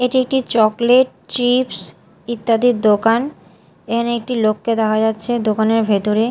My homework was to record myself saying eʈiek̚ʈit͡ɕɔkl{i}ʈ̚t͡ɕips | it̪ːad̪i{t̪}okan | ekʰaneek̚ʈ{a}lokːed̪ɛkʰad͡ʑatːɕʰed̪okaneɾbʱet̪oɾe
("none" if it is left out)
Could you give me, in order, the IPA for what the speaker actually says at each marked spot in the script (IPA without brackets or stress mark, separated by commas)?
e, d̪, i